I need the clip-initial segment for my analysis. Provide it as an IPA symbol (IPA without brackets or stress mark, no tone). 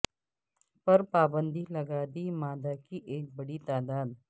p